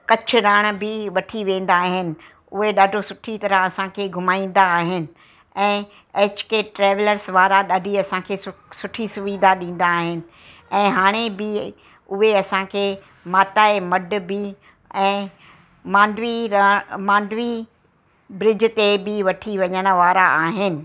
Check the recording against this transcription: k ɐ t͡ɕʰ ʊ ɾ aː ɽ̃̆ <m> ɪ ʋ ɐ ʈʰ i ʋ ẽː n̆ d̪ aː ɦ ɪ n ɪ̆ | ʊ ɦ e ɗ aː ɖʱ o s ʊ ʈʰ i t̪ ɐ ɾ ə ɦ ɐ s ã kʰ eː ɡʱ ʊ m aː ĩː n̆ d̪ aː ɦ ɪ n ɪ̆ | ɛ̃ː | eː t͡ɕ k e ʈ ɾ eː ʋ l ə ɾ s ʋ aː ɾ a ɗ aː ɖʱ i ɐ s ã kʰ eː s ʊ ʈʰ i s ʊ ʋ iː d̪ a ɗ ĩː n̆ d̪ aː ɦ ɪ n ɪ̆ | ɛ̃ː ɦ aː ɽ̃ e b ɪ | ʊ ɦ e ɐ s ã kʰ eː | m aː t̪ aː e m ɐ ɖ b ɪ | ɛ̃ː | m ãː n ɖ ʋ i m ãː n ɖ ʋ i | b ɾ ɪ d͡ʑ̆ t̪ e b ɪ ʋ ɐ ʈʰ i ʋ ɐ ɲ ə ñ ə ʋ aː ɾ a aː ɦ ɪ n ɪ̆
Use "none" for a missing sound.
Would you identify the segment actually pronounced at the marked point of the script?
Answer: b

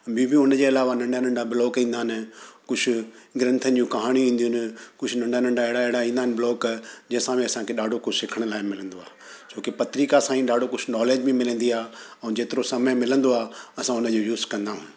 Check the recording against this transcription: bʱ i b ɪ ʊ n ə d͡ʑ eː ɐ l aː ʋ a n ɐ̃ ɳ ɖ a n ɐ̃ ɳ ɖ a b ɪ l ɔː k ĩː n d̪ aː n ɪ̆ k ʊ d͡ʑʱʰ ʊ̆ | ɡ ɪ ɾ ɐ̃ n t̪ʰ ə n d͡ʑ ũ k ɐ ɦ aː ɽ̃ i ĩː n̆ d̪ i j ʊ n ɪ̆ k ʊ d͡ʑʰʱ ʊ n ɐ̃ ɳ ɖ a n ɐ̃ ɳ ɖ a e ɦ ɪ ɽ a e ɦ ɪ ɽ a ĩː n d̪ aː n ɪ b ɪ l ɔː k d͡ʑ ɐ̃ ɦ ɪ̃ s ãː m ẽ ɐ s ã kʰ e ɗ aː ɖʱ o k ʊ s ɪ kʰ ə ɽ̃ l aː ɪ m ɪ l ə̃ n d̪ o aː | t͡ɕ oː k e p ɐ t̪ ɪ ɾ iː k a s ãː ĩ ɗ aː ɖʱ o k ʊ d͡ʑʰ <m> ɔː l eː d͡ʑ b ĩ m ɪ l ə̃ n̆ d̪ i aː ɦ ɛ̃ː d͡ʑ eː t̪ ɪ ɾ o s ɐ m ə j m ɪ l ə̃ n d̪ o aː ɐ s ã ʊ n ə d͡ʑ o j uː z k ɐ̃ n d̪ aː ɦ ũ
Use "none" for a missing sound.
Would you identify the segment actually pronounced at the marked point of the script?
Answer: n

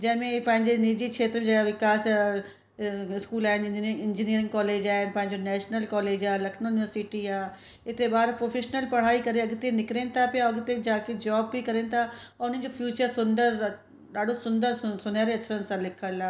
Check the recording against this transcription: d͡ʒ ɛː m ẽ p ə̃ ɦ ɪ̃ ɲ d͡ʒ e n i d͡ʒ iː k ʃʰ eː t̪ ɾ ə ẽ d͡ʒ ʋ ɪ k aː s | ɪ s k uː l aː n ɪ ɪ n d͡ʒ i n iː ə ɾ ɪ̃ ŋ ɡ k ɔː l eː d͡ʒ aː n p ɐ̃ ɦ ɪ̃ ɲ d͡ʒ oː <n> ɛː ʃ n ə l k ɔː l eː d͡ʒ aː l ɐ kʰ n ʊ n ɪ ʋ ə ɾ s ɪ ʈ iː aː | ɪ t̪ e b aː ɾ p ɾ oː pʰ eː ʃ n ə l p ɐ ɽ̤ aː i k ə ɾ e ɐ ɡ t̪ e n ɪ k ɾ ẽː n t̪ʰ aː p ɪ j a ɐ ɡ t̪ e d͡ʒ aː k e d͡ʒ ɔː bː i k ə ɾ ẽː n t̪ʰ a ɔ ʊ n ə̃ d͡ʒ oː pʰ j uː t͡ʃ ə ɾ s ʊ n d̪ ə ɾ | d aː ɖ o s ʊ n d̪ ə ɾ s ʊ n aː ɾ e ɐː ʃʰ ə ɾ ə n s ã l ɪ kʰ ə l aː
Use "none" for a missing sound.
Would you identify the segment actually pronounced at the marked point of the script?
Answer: n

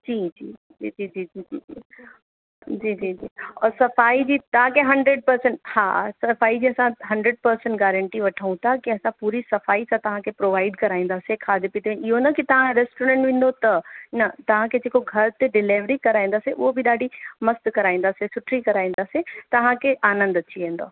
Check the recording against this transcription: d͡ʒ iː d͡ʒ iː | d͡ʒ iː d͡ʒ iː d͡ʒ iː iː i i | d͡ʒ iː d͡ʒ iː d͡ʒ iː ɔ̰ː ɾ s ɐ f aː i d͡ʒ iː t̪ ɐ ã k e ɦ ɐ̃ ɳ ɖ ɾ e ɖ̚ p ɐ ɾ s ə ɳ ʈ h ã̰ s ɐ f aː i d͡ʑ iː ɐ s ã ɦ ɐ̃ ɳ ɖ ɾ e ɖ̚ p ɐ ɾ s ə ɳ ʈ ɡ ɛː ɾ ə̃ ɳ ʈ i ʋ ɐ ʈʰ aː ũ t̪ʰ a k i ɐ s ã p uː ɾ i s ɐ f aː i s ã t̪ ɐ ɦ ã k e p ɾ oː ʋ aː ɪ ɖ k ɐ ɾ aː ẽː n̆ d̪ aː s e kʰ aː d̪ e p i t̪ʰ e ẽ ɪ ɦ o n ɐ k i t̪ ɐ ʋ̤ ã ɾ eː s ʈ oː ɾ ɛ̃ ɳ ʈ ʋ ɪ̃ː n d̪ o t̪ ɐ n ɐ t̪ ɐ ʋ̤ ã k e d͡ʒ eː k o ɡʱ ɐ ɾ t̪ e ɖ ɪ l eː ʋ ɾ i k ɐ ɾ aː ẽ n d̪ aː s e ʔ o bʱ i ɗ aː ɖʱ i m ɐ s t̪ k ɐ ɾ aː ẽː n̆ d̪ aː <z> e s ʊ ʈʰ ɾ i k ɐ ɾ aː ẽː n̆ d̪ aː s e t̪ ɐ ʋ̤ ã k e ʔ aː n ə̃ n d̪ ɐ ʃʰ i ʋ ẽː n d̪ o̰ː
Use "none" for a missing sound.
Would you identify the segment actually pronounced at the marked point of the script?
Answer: s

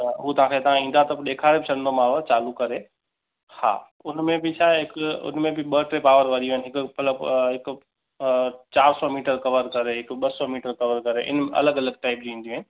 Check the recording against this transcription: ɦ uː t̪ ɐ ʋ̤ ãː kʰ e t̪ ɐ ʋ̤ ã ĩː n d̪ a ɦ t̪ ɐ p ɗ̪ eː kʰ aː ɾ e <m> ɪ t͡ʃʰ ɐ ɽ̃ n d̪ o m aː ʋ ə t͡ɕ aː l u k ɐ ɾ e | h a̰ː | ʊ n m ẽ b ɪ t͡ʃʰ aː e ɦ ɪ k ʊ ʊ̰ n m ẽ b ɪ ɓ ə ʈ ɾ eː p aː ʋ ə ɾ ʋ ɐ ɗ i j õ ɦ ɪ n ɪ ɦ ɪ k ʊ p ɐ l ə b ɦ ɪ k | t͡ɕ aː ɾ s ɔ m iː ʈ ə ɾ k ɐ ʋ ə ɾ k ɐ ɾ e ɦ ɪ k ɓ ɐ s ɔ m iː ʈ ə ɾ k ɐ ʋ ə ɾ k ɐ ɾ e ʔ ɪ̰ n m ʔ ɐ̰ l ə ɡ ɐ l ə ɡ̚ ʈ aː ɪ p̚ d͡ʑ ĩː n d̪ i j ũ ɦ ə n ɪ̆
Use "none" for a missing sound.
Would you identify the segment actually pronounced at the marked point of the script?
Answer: b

